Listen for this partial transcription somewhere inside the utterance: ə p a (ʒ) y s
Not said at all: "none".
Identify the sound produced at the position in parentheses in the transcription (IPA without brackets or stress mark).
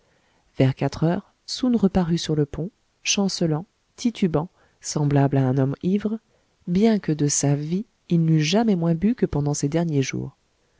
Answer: ʁ